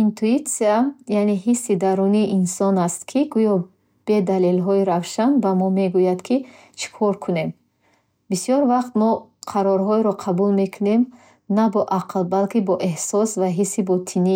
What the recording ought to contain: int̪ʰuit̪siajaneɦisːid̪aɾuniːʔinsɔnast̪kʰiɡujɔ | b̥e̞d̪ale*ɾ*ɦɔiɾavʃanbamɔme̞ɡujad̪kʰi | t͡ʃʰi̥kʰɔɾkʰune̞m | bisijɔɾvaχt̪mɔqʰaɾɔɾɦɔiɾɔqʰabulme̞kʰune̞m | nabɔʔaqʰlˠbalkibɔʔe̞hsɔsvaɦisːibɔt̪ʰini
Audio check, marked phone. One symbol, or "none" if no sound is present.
l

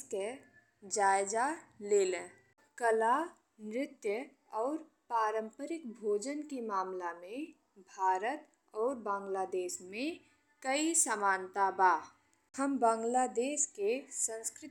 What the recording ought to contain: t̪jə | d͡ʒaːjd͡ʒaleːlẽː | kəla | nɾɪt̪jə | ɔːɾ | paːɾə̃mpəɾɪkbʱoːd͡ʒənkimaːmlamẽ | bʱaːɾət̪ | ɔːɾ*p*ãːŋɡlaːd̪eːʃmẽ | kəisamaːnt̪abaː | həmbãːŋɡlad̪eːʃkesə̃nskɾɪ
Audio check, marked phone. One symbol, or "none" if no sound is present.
b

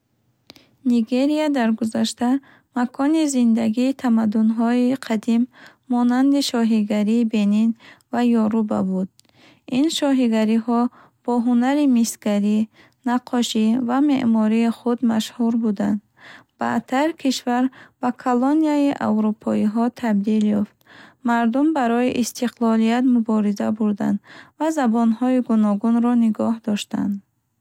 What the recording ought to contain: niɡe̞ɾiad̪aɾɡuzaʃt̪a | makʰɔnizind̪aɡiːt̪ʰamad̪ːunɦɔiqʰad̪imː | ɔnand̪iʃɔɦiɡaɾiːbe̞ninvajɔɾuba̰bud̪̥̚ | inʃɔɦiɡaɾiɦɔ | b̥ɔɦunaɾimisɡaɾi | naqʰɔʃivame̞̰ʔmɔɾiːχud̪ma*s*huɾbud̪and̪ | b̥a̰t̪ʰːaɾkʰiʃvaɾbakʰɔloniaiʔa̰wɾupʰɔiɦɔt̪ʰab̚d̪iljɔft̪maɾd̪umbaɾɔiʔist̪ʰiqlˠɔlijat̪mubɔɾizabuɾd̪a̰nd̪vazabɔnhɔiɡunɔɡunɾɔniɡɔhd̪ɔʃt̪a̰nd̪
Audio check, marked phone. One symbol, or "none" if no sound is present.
ʃ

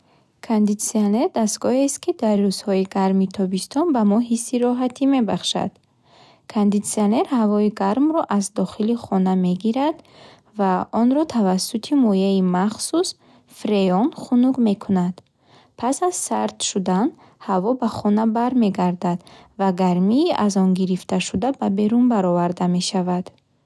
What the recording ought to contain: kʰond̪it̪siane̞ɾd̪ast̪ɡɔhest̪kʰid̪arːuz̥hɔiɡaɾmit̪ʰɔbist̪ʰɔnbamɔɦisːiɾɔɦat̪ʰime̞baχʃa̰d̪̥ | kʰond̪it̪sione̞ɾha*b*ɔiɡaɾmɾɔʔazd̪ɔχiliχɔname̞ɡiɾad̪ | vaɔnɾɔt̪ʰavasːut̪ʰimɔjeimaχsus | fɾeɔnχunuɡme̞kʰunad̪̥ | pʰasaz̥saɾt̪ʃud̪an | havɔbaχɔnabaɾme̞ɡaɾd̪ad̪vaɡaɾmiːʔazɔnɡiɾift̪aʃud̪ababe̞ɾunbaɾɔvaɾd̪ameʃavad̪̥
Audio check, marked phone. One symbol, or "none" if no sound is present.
v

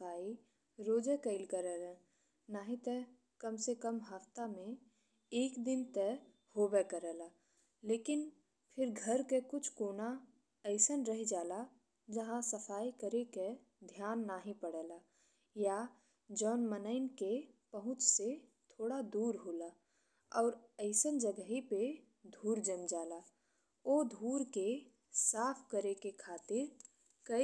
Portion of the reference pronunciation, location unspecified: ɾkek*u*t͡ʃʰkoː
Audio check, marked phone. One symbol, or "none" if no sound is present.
ʊ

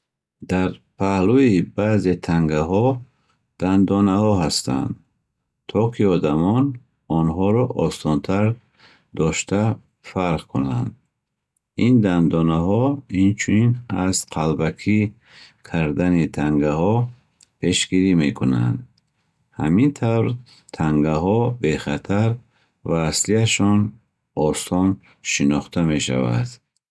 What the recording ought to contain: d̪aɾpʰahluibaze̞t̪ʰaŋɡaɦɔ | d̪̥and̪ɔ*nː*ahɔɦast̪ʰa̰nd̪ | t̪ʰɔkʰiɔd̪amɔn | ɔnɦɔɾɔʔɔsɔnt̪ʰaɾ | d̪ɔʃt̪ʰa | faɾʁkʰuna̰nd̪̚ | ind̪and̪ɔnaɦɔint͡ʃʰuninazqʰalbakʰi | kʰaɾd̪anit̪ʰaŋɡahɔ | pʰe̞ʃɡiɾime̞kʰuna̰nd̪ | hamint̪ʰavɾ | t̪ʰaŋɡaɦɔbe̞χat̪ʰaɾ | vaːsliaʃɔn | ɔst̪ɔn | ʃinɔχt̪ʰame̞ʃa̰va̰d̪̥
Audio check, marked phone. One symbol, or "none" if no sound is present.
n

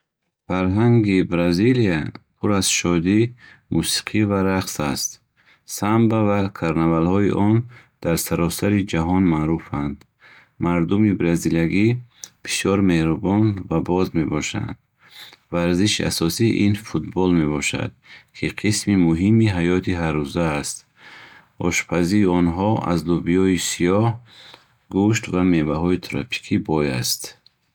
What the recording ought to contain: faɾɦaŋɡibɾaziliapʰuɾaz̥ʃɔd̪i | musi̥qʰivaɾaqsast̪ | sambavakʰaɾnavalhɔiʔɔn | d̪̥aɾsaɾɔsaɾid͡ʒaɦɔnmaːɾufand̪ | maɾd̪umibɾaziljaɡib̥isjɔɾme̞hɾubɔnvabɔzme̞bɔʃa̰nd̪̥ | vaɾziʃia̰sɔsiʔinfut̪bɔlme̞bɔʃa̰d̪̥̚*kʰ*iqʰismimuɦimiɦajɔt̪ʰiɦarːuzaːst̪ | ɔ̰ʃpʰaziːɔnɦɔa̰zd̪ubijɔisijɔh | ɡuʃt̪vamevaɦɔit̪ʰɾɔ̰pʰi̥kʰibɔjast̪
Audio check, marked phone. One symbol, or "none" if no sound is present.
kʰ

